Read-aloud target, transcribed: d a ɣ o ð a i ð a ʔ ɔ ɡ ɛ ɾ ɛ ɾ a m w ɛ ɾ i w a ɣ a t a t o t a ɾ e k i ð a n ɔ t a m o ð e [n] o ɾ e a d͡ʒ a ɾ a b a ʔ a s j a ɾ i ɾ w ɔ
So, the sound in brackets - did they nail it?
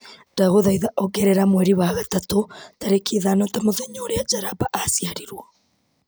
no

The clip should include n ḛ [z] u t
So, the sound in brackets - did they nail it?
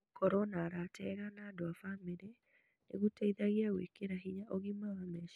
no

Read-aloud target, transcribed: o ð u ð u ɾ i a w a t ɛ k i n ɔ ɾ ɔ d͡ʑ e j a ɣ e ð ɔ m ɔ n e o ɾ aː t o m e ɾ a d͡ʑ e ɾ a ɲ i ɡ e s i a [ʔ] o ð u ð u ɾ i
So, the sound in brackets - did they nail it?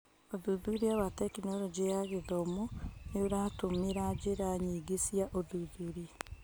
yes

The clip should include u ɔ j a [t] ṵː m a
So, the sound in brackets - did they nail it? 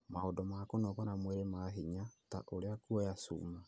no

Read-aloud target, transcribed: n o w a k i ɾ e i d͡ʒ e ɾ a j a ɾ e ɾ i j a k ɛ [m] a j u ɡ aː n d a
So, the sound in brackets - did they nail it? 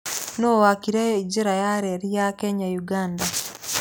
no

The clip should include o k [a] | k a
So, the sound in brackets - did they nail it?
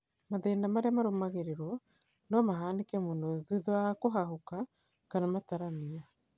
yes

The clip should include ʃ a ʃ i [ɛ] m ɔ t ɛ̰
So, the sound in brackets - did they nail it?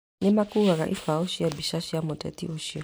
no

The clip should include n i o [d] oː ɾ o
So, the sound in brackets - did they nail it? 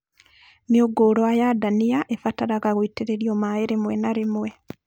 no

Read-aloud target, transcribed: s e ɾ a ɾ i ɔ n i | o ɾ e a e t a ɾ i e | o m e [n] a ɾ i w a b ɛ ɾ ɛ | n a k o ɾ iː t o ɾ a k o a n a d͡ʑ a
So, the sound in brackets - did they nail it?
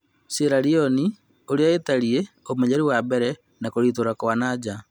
no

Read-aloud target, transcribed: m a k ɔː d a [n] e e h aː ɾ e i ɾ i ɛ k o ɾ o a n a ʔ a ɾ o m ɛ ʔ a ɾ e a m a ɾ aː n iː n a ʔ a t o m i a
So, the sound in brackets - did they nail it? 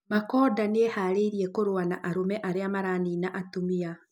yes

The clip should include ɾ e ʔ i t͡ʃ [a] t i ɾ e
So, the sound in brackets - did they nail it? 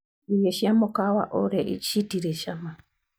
no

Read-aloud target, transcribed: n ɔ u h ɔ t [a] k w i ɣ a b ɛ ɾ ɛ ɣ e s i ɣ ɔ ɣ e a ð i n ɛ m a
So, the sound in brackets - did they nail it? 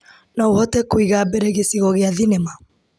no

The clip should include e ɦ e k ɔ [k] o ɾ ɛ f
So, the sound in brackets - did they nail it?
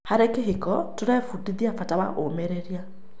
no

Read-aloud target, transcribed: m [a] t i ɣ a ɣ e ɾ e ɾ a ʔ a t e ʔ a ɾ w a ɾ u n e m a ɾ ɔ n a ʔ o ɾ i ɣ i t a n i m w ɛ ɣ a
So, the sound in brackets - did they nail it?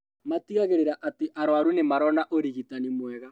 yes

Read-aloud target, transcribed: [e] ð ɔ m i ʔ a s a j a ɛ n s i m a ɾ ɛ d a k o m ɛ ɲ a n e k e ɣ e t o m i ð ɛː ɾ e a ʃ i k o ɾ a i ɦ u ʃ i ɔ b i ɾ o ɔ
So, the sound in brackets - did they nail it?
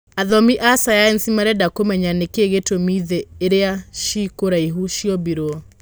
no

